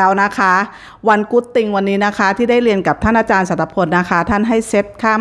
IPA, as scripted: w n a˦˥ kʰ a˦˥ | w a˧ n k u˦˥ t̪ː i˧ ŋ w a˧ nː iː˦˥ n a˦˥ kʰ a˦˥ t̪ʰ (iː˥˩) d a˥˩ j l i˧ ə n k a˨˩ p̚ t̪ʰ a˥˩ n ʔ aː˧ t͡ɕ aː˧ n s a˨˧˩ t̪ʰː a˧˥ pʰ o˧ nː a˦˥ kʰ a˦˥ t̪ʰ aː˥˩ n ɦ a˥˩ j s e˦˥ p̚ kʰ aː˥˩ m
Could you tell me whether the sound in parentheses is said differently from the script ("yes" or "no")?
no